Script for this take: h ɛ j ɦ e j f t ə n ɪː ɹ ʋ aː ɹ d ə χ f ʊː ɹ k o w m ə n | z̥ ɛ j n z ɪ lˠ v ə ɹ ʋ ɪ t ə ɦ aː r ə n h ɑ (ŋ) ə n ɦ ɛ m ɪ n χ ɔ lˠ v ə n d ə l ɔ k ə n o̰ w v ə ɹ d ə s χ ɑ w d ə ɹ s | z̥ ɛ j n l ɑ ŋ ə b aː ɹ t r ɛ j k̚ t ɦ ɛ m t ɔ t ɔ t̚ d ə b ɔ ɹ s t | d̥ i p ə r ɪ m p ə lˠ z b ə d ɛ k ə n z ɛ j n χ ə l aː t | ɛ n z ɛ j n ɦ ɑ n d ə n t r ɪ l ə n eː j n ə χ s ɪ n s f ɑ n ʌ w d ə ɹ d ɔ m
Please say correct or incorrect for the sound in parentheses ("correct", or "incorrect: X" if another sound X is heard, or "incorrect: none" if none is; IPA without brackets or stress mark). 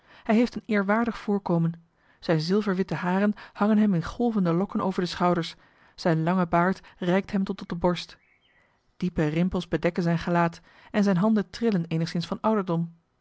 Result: correct